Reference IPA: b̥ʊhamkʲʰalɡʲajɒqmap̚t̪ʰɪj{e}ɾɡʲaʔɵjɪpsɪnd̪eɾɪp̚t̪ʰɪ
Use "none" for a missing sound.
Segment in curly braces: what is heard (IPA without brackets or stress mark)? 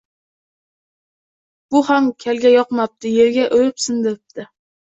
e